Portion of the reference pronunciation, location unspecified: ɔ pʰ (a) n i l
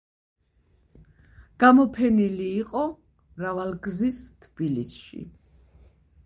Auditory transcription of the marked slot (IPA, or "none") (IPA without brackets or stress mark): ɛ